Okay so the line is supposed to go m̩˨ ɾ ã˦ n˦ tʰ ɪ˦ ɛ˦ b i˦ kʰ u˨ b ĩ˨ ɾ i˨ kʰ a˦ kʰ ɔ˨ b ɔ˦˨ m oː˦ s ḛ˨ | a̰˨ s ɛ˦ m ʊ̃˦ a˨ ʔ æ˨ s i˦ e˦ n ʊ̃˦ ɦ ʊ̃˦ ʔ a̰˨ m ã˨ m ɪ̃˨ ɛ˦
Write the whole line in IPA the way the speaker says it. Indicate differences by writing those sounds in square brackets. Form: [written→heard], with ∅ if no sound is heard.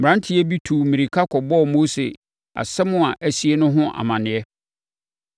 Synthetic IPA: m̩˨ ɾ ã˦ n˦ tʰ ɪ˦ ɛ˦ b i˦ [kʰ→tʰ] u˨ [b→m] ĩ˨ ɾ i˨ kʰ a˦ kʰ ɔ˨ b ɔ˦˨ m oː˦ s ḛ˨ | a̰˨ s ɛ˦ m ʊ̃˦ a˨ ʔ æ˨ s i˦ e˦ n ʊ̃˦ ɦ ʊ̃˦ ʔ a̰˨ m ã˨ [m→n] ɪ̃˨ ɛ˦

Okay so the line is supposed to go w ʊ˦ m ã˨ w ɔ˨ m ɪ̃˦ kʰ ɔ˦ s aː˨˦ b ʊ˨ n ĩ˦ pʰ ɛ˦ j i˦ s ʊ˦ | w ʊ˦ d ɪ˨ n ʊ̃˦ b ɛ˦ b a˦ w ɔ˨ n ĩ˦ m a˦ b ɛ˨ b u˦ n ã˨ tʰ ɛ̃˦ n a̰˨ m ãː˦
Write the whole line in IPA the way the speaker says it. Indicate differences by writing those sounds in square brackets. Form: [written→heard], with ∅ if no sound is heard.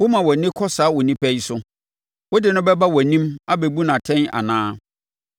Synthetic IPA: w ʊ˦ m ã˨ w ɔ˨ [m→n] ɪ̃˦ kʰ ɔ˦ s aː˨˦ [b→w] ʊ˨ n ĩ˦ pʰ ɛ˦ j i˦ s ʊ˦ | w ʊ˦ d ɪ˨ n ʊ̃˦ b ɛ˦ b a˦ w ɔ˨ n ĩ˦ m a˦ b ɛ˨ b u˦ n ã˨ tʰ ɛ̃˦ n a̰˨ [m→n] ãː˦

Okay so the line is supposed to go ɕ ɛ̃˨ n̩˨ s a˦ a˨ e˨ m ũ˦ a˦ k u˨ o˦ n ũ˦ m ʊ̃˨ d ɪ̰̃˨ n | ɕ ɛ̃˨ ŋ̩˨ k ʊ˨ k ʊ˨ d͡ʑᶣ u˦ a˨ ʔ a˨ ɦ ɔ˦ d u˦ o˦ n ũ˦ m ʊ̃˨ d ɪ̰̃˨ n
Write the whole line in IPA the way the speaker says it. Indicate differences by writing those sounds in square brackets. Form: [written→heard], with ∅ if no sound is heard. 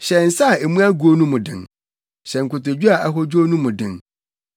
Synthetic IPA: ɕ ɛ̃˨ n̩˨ s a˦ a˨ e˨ m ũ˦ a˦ [k→ɡ] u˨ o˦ n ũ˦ m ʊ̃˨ d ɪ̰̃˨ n | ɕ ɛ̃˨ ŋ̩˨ k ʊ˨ [k→t] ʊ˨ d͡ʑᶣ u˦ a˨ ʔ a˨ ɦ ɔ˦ [d→d͡ʑ] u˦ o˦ n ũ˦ m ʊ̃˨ d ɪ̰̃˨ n

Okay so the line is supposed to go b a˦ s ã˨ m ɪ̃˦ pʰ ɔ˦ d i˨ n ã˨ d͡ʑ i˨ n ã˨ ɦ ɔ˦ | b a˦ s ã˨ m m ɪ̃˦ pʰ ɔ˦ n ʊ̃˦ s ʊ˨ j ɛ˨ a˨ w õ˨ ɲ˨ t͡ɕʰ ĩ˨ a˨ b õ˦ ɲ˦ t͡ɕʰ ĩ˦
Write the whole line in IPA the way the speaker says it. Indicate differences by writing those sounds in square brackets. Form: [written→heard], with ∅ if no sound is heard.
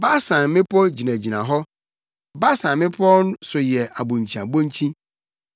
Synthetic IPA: b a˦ s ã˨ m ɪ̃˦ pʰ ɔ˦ [d→d͡ʑ] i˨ n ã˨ d͡ʑ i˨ n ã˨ ɦ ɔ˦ | b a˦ s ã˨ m m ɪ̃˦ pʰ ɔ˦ n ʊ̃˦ s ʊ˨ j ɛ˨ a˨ [w→b] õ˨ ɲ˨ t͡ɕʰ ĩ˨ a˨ b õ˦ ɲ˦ t͡ɕʰ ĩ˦

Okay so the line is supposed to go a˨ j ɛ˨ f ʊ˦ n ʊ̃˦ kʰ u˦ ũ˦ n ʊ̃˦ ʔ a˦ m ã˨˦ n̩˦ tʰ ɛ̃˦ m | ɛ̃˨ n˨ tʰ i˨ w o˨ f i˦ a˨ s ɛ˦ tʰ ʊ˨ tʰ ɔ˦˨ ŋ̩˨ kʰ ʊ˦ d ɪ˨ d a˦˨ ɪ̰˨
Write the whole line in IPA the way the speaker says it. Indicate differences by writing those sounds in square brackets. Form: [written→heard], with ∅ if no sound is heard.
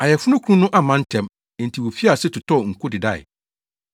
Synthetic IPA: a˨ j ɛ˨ f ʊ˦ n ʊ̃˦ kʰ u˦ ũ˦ n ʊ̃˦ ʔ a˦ m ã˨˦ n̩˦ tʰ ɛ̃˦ m | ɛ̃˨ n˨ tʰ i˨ w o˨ f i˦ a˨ s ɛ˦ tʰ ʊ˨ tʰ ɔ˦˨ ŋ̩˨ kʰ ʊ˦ d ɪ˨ d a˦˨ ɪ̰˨

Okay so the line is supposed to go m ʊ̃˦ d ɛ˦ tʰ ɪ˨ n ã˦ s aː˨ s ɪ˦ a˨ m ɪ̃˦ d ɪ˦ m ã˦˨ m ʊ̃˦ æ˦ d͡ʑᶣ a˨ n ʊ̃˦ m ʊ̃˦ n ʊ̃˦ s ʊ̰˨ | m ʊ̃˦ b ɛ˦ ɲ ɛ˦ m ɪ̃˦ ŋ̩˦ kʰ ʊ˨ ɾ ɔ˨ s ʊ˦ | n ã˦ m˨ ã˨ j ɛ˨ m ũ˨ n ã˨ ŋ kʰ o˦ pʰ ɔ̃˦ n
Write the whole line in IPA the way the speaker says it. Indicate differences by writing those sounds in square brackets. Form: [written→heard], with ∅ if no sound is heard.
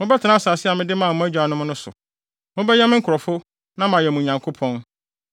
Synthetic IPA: m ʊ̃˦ [d→b] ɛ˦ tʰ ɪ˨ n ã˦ s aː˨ s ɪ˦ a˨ m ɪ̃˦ d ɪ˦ m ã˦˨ m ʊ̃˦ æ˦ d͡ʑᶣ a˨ n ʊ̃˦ m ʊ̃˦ n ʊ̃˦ s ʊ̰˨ | m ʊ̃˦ b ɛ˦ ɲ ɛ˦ m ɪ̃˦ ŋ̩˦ kʰ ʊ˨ ɾ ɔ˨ [s→f] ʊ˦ | n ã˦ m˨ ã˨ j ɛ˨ m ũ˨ [n→ɲ] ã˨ ŋ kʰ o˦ pʰ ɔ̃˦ n

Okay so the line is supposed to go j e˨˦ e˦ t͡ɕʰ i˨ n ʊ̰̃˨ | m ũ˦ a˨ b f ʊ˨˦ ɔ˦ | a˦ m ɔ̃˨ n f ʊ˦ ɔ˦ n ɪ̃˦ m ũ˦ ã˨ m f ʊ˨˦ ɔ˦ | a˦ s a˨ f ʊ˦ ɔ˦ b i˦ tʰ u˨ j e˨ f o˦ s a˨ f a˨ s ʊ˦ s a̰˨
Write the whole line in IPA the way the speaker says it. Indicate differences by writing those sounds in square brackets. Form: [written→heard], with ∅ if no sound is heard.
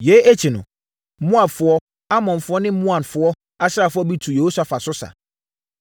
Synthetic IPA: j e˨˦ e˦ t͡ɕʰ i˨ n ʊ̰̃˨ | m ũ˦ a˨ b f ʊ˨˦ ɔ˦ | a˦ m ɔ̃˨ n f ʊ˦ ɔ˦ n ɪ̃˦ m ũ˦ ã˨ [m→n] f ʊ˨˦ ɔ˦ | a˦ s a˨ f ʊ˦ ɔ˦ b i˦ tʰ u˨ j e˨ [f→h] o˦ s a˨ f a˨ s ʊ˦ s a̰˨

